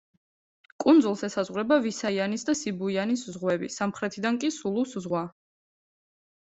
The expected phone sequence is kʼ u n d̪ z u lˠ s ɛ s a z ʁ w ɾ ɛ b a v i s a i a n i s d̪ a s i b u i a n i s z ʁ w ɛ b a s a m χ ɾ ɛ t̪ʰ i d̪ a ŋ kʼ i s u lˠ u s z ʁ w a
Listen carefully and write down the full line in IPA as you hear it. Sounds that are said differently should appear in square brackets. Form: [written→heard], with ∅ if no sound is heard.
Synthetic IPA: kʼ u n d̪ z u lˠ s ɛ s a z ʁ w ɾ ɛ b a v i s a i a n i s d̪ a s i b u i a n i s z ʁ w ɛ b [a→i] s a m χ ɾ ɛ t̪ʰ i d̪ a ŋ kʼ i s u lˠ u s z ʁ w a